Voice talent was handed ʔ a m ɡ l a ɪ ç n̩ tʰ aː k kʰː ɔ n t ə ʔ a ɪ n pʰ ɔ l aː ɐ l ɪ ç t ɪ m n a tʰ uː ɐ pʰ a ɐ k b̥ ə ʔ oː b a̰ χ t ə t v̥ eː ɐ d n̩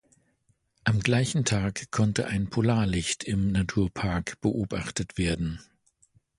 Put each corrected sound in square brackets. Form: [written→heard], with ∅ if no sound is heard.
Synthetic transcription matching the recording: ʔ a m ɡ l a ɪ ç n̩ tʰ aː k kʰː ɔ n t ə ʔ a ɪ n pʰ [ɔ→o] l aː ɐ l ɪ ç t ɪ m n a tʰ uː ɐ pʰ a ɐ k b̥ ə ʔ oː b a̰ χ t ə t v̥ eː ɐ d n̩